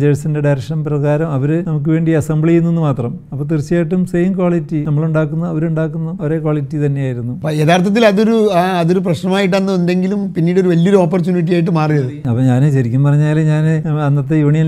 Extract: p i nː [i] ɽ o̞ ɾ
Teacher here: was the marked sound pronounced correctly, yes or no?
no